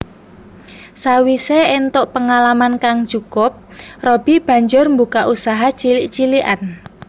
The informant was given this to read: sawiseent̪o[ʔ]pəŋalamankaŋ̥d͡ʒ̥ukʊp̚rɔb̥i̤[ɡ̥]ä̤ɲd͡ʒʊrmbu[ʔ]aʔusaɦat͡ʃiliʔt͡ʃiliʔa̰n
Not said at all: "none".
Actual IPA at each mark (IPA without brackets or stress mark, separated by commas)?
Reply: ʔ, b̥, k